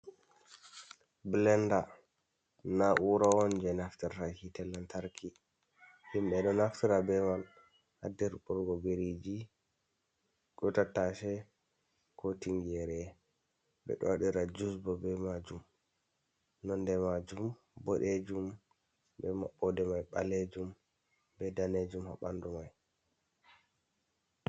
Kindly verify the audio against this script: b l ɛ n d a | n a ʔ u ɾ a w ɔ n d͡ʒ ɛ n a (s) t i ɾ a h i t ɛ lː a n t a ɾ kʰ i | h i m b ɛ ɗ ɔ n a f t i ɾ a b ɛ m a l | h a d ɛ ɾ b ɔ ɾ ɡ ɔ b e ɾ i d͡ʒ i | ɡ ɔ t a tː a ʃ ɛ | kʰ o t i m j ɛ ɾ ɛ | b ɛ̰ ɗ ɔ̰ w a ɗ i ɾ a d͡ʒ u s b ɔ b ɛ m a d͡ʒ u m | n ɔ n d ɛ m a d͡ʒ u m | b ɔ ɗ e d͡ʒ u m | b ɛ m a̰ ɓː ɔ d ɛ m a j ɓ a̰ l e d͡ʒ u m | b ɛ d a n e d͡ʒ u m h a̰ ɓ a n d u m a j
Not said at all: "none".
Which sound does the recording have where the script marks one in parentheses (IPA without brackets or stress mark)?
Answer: f